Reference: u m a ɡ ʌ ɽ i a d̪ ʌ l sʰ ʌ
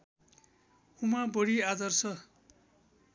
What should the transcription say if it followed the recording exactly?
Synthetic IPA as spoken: u m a b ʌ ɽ i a d̪ ʌ r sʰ ʌ